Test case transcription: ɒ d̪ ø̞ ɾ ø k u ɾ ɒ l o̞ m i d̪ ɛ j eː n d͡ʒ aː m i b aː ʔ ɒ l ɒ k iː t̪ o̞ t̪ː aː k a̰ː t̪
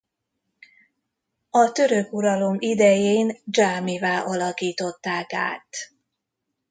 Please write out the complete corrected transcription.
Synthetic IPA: ɒ t̪ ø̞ ɾ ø k u ɾ ɒ l o̞ m i d̪ ɛ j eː n d͡ʒ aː m i v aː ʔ ɒ l ɒ k iː t̪ o̞ t̪ː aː k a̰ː t̪